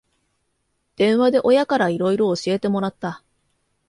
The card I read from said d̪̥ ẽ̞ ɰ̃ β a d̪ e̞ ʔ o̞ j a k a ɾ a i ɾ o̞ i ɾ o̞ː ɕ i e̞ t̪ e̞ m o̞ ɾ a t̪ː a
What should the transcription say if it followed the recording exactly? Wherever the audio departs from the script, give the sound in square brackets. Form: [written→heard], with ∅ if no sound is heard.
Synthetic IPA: d̪̥ ẽ̞ ɰ̃ β a d̪ e̞ ʔ o̞ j a k a ɾ a i ɾ o̞ i ɾ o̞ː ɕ i e̞ t̪ e̞ m o̞ ɾ a t̪ː a